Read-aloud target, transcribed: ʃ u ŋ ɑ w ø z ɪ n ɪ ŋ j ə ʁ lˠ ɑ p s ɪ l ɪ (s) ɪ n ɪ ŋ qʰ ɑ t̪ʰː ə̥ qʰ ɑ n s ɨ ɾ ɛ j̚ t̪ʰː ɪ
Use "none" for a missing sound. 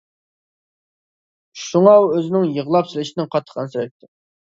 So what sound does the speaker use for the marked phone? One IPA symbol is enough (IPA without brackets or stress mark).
ʃ